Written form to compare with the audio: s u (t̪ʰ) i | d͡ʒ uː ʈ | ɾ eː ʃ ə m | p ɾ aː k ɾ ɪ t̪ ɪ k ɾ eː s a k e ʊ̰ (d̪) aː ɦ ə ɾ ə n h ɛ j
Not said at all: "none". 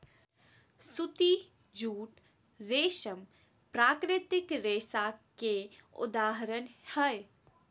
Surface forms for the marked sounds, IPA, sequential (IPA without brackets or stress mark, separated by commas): t̪, d̪